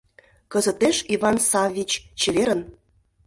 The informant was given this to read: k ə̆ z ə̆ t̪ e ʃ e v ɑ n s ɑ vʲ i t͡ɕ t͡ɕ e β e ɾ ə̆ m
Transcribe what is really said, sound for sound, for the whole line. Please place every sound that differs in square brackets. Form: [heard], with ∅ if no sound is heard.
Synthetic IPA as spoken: k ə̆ z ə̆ t̪ e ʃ [i] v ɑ n s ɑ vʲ i t͡ɕ t͡ɕ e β e ɾ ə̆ [n]